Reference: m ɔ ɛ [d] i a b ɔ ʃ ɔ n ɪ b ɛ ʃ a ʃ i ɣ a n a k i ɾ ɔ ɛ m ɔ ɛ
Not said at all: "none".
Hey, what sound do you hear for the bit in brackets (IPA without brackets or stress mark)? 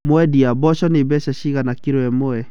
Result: d